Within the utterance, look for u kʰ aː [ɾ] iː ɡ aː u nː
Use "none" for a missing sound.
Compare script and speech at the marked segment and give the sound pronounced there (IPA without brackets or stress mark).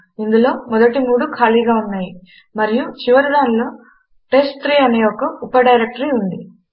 l